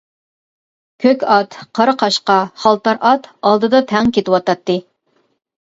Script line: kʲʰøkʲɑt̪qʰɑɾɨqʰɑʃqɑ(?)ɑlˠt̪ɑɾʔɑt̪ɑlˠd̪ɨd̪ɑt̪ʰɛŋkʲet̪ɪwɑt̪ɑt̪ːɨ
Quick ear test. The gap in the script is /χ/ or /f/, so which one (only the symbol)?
χ